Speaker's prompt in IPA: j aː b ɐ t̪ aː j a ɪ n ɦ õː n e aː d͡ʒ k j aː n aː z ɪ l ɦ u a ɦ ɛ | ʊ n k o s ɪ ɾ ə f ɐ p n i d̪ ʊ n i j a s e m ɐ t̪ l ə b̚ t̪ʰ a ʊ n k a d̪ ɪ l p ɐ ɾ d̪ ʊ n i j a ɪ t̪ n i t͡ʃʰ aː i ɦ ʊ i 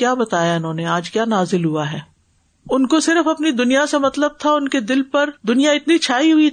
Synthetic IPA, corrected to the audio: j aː b ɐ t̪ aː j a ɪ n ɦ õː n e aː d͡ʒ k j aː n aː z ɪ l ɦ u a ɦ ɛː | ʊ n k o s ɪ ɾ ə f ɐ p n i d̪ ʊ n i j a s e m ɐ t̪ l ə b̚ t̪ʰ a ʊ n k e d̪ ɪ l p ɐ ɾ d̪ ʊ n i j a ɪ t̪ n i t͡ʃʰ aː i ɦ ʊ i